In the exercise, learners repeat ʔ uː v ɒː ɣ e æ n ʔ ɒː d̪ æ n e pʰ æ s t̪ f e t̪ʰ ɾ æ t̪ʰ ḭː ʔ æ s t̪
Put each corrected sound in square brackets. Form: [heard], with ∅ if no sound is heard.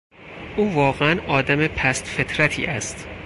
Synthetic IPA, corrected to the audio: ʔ uː v ɒː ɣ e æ n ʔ ɒː d̪ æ [m] e pʰ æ s t̪ f e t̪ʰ ɾ æ t̪ʰ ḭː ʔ æ s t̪

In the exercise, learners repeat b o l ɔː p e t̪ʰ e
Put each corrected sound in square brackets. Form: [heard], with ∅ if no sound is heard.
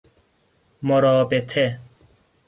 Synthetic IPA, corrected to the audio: [m] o [ɾ] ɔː p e t̪ʰ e

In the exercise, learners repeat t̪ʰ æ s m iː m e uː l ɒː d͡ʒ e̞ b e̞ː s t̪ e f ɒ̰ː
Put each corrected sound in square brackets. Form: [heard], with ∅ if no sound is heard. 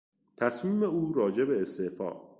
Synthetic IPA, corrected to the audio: t̪ʰ æ s m iː m e uː [ɾ] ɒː d͡ʒ e̞ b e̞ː s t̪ e f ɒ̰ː

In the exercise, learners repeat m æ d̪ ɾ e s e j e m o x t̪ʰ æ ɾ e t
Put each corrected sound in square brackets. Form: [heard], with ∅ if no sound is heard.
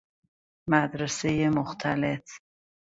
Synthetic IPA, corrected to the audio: m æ d̪ ɾ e s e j e m o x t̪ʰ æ [l] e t

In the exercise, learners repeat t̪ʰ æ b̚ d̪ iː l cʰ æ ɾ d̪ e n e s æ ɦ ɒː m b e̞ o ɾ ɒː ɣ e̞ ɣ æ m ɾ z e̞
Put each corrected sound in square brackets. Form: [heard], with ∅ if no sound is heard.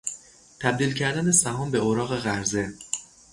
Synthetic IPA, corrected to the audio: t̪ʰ æ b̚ d̪ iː l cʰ æ ɾ d̪ [æ] n e s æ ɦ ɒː m b e̞ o ɾ ɒː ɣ e̞ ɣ æ [∅] ɾ z e̞

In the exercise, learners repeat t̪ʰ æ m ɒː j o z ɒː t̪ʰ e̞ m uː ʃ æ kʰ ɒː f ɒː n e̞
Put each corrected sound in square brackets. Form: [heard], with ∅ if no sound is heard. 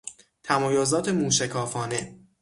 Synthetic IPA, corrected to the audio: t̪ʰ æ m ɒː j o z ɒː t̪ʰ e̞ m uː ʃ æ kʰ ɒː f ɒː n e̞

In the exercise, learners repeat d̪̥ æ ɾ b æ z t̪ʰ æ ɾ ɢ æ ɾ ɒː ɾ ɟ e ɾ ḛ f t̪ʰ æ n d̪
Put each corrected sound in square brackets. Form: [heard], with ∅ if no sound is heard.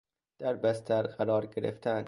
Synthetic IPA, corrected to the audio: d̪̥ æ ɾ b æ [s] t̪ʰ æ ɾ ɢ æ ɾ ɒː ɾ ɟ e ɾ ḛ f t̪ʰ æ n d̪

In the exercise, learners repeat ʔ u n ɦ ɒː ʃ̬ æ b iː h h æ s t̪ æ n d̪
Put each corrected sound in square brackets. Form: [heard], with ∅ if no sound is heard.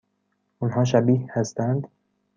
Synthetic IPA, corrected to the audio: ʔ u n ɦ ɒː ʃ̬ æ b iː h h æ s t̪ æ n d̪

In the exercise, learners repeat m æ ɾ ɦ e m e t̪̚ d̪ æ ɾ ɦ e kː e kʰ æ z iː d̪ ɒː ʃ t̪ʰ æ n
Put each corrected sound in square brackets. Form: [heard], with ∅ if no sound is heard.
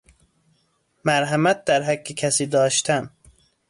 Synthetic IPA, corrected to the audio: m æ ɾ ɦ [æ] m [æ] t̪̚ d̪ æ ɾ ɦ [æ] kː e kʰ æ [s] iː d̪ ɒː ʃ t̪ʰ æ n

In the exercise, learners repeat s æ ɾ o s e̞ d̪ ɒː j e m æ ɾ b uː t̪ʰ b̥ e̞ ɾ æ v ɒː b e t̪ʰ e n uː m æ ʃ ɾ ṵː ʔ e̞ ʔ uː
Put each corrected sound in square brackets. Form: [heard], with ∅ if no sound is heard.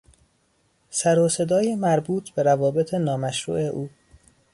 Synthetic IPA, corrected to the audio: s æ ɾ o s e̞ d̪ ɒː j e m æ ɾ b uː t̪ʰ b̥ e̞ ɾ æ v ɒː b e t̪ʰ e n [ɒː] m æ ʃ ɾ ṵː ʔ e̞ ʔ uː

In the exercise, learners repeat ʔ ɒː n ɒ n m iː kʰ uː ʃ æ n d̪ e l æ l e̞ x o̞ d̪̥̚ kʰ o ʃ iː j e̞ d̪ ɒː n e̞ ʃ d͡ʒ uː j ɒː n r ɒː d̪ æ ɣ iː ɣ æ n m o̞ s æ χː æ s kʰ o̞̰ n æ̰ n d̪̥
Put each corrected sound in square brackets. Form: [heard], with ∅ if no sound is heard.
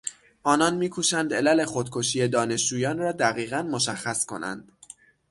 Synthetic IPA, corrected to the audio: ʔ ɒː n ɒ n m iː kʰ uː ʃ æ n d̪ e l æ l e̞ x o̞ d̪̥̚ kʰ o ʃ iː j e̞ d̪ ɒː n e̞ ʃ d͡ʒ uː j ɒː n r ɒː d̪ æ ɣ iː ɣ æ n m o̞ [ʃ] æ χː æ s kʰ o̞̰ n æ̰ n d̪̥

